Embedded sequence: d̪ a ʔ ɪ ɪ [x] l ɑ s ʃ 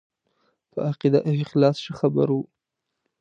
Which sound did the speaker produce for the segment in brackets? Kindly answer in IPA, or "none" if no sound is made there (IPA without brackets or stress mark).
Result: x